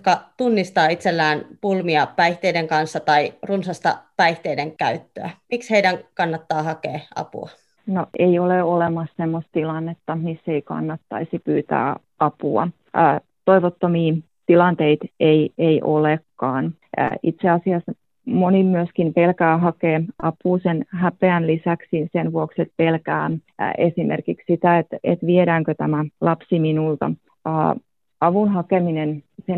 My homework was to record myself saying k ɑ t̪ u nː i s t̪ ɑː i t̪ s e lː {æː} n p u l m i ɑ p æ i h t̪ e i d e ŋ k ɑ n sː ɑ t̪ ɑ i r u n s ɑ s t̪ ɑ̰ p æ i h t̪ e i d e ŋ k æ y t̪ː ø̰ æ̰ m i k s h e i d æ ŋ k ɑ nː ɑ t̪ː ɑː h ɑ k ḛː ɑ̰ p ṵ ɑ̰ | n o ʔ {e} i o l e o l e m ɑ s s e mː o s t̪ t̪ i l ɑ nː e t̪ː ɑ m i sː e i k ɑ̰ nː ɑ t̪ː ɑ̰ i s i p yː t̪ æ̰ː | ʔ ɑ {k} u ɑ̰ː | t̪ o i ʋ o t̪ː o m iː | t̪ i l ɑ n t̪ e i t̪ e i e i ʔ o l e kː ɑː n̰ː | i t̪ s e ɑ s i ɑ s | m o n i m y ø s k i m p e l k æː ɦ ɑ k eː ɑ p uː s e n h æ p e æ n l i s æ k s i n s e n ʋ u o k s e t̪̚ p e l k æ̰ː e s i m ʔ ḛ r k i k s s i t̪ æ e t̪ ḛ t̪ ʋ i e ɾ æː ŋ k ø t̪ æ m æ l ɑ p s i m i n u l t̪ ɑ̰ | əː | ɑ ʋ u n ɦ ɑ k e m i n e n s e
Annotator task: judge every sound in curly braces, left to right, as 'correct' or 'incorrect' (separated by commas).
correct, correct, incorrect